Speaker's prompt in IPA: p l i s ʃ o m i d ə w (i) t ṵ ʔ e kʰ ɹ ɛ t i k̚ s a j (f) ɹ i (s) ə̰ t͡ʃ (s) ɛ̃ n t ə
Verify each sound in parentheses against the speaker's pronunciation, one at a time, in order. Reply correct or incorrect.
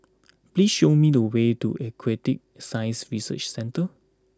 incorrect: e, incorrect: s, correct, correct

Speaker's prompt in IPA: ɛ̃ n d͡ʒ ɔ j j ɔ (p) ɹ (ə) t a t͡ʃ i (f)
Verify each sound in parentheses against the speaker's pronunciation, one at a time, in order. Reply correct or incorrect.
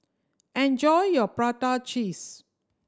correct, incorrect: a, incorrect: s

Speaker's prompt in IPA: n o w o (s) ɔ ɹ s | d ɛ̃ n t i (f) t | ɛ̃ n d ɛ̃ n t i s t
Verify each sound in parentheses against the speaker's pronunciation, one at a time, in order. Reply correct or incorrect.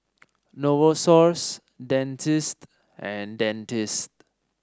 correct, incorrect: s

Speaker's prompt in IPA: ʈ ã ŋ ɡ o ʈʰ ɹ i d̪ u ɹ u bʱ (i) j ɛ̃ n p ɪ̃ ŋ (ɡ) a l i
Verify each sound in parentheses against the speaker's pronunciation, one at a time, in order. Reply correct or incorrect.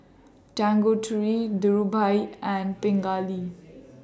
incorrect: a, correct

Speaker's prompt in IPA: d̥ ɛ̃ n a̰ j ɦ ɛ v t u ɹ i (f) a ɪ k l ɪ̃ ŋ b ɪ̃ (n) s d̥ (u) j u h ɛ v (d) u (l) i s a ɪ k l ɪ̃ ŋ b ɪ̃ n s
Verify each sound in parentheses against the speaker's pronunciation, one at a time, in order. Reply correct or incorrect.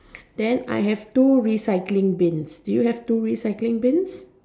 incorrect: s, correct, correct, incorrect: t, incorrect: ɹ

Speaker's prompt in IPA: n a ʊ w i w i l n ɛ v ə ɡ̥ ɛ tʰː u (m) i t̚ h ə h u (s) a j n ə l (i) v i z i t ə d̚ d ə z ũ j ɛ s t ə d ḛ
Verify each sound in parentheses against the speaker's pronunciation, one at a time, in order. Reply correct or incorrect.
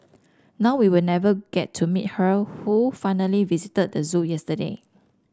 correct, incorrect: f, correct

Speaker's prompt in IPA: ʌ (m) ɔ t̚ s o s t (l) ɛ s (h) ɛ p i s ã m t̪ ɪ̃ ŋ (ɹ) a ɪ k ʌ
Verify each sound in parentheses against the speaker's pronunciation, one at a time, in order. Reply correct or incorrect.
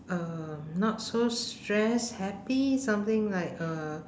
incorrect: n, incorrect: ɹ, correct, incorrect: l

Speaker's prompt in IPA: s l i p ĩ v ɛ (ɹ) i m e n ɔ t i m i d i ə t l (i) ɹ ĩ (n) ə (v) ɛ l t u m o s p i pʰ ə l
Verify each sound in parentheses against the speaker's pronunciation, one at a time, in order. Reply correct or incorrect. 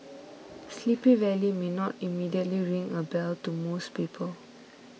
incorrect: l, correct, incorrect: ŋ, incorrect: b

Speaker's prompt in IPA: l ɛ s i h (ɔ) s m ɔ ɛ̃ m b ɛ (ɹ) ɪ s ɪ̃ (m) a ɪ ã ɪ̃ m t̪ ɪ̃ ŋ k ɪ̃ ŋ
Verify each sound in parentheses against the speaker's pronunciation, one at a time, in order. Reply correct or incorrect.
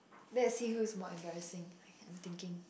incorrect: u, correct, incorrect: ŋ

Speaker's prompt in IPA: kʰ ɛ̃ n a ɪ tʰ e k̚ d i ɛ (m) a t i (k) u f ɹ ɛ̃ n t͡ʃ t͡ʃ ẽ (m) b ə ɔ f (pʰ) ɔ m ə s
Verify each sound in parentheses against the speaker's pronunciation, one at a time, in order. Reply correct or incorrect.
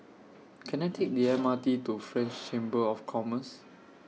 correct, incorrect: t, correct, incorrect: kʰ

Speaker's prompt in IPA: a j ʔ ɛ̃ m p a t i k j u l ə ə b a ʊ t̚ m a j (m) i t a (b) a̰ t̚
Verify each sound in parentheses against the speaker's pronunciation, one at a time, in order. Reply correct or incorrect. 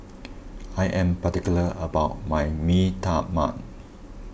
correct, incorrect: m

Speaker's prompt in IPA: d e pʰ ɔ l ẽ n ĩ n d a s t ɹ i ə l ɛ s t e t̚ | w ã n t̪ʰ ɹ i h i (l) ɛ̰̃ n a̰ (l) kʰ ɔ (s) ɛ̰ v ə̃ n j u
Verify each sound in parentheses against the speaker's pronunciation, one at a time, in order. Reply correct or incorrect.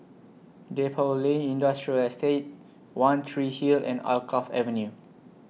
correct, correct, incorrect: f

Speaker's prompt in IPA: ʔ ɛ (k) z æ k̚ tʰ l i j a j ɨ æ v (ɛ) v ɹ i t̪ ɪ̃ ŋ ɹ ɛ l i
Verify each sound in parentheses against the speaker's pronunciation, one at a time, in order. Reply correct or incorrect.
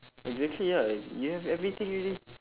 incorrect: ɡ, correct

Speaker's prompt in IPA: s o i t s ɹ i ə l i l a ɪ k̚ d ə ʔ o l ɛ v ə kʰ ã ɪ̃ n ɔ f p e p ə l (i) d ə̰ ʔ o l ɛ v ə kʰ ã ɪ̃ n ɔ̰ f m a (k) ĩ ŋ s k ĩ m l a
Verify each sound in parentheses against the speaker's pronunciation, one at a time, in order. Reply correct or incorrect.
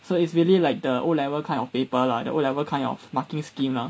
incorrect: a, correct

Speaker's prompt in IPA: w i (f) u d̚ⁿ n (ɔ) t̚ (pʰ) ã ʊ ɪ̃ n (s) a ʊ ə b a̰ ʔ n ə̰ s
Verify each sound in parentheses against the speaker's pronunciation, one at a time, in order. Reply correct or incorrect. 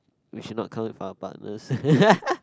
incorrect: ʃ, correct, incorrect: kʰ, incorrect: f

